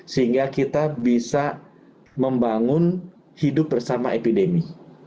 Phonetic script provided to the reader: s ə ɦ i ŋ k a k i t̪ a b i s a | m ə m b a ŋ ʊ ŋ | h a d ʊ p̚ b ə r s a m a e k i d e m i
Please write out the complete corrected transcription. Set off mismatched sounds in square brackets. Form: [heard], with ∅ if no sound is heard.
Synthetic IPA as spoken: s ə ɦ i ŋ [ɡ] a k i t̪ a b i s a | m ə m b a ŋ ʊ [n] | h [i] d ʊ p̚ b ə r s a m a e [p] i d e m i

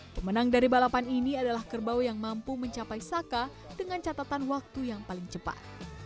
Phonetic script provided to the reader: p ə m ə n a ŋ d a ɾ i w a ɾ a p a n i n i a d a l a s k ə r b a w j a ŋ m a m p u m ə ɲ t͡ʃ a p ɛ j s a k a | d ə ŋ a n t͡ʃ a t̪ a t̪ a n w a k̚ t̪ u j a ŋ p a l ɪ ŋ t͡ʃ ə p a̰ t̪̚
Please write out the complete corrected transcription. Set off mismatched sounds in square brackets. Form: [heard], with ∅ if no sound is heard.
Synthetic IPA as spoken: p ə m ə n a ŋ d a ɾ i [b] a [l] a p a n i n i a d a l a [h] k ə r b a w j a ŋ m a m p u m ə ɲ t͡ʃ a p [a] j s a k a | d ə ŋ a n t͡ʃ a t̪ a t̪ a n w a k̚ t̪ u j a ŋ p a l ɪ ŋ t͡ʃ ə p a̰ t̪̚

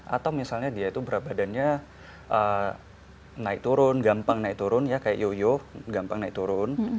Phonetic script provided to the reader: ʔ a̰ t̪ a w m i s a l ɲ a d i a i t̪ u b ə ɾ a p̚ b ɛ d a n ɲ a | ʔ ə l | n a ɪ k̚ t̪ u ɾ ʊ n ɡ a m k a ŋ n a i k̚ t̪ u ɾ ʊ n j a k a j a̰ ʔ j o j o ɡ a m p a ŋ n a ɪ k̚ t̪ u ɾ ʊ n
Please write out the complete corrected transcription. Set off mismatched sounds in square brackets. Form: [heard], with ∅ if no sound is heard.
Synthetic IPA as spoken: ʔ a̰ t̪ a w m i s a l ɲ a d i a i t̪ u b ə ɾ a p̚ b [a] d a n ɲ a | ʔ ə [∅] | n a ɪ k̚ t̪ u ɾ ʊ n ɡ a m [p] a ŋ n a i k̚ t̪ u ɾ ʊ n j a k a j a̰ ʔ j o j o ɡ a m p a ŋ n a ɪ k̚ t̪ u ɾ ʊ n

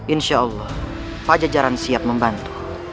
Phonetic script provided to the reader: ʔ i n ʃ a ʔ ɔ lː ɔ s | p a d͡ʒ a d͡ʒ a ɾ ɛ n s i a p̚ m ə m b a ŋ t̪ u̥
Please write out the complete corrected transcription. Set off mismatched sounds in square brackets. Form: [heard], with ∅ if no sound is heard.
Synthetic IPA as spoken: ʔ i n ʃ a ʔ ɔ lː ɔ [h] | p a d͡ʒ a d͡ʒ a ɾ [a] n s i a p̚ m ə m b a [n] t̪ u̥

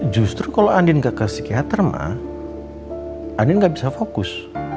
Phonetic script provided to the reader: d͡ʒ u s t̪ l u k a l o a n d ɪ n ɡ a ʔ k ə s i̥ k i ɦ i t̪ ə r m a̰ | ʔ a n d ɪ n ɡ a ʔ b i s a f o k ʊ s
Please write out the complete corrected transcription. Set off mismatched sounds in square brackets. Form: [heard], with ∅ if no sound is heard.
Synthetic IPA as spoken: d͡ʒ u s t̪ [ɾ] u k a l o a n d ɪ n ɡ a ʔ k ə s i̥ k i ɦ [a] t̪ ə r m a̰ | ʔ a n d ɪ n ɡ a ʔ b i s a f o k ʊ s

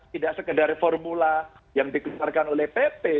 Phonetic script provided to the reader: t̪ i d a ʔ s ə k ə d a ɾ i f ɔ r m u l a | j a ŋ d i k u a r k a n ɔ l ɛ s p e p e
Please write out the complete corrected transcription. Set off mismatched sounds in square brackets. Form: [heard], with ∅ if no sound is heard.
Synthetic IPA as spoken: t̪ i d a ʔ s ə k ə d a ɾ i f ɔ r m u l a | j a ŋ d i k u a r k a n [o] l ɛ [h] p e p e

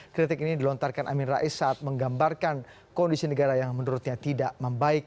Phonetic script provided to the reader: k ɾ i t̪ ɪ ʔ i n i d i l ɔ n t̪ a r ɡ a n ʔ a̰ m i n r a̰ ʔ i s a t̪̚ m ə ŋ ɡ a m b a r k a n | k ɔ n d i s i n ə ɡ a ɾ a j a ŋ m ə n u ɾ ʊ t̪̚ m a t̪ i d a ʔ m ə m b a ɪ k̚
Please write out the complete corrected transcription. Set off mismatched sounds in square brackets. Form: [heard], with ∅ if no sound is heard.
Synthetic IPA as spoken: k ɾ i t̪ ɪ [k] i n i d i l ɔ n t̪ a r [k] a n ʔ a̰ m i n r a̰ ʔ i s a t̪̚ m ə ŋ ɡ a m b a r k a n | k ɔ n d i s i n ə ɡ a ɾ a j a ŋ m ə n u ɾ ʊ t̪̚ [ɲ] a t̪ i d a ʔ m ə m b a ɪ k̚

